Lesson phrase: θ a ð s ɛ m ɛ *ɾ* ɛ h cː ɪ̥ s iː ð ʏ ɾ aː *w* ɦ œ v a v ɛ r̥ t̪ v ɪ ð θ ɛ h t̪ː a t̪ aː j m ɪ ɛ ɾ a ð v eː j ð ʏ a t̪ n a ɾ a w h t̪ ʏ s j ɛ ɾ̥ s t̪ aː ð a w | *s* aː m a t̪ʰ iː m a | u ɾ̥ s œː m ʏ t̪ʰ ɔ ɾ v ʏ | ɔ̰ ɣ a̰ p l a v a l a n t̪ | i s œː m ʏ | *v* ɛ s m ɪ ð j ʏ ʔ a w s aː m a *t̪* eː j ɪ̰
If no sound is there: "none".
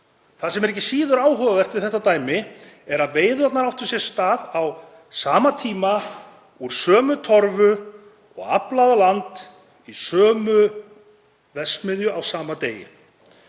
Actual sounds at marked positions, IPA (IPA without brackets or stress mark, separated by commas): ɾ, w, s, v, t̪